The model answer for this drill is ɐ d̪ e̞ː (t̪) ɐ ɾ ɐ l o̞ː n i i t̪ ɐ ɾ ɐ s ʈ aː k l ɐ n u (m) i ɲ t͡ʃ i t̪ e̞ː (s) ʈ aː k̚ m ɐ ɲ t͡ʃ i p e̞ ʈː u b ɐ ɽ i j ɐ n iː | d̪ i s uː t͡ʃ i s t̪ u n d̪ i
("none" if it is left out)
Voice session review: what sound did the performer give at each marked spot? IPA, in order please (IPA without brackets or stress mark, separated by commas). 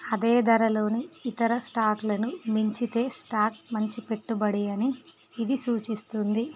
d̪, m, s